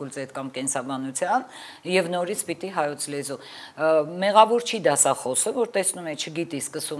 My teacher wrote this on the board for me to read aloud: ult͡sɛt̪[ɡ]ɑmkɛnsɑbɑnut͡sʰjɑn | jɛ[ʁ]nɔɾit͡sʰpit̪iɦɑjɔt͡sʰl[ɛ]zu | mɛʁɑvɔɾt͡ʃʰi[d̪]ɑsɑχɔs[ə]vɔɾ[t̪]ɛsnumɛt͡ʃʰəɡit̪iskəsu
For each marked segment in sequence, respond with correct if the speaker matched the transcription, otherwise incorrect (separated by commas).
incorrect, incorrect, correct, correct, correct, correct